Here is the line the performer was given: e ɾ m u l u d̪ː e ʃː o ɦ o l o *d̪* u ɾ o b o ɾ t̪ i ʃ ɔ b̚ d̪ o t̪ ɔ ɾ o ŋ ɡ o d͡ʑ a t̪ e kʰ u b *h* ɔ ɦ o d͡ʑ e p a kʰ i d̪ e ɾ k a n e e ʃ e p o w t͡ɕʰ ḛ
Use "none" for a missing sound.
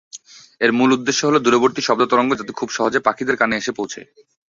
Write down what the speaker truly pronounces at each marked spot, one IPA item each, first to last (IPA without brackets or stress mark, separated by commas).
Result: d̪, ʃ